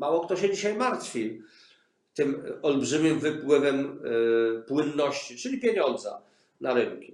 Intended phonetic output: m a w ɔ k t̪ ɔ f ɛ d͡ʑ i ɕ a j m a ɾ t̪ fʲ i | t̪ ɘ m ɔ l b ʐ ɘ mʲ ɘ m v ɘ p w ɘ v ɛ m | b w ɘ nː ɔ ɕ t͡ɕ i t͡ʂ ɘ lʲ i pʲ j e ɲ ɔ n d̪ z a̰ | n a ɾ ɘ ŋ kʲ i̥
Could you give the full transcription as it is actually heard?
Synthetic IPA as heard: m a w ɔ k t̪ ɔ ɕ ɛ d͡ʑ i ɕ a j m a ɾ t̪ fʲ i | t̪ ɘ m ɔ l b ʐ ɘ mʲ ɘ m v ɘ p w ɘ v ɛ m | p w ɘ nː ɔ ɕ t͡ɕ i t͡ʂ ɘ lʲ i pʲ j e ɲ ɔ n d̪ z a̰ | n a ɾ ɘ ŋ kʲ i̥